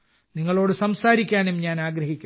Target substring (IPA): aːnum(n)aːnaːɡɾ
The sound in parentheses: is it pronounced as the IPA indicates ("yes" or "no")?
no